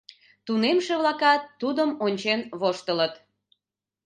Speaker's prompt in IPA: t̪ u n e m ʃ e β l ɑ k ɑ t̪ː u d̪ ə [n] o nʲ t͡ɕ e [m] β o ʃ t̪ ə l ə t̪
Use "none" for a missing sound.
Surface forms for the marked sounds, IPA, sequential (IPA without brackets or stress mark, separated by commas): m, n